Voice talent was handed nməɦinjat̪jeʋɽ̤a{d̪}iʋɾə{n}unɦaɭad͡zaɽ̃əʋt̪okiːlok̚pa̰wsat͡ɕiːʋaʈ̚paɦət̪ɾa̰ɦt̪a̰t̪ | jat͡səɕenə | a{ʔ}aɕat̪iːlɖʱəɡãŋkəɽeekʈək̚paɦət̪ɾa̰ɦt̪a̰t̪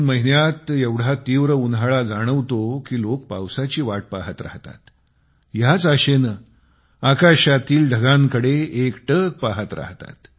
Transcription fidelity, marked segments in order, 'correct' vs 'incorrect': incorrect: t̪, incorrect: none, incorrect: k

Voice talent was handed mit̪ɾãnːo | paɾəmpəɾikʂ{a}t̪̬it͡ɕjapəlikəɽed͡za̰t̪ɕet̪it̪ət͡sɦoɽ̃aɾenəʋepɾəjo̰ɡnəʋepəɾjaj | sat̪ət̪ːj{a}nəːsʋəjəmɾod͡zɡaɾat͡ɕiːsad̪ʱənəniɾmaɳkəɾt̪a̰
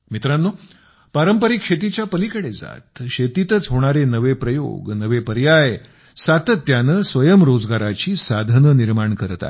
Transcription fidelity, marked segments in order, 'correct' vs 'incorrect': incorrect: e, correct

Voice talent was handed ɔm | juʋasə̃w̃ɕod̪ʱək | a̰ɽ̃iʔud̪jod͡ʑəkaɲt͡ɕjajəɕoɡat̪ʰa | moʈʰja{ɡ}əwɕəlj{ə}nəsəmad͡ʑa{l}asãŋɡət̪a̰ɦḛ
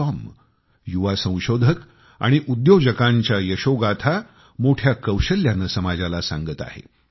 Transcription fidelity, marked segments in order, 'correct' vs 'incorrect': incorrect: k, incorrect: a, correct

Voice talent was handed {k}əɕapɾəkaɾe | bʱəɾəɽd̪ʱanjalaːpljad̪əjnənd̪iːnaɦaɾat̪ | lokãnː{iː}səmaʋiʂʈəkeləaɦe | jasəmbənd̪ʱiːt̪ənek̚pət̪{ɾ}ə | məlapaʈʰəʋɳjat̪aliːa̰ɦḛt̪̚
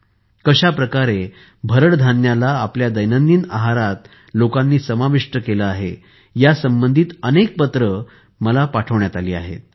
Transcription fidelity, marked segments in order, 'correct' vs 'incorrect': correct, correct, correct

